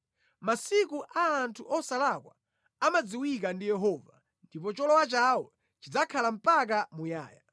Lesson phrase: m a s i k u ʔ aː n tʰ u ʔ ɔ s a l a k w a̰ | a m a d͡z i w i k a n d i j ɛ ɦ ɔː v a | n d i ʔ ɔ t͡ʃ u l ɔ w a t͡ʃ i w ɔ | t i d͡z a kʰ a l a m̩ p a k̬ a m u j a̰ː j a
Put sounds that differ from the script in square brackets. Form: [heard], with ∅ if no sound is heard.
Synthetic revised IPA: m a s i k u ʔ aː n tʰ u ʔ ɔ s a l a k w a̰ | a m a d͡z i w i k a n d i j ɛ ɦ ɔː v a | n d i [p] ɔ t͡ʃ [ɔ] l ɔ w a t͡ʃ [a] w ɔ | [t͡ʃ] i d͡z a kʰ a l a m̩ p a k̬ a m u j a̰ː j a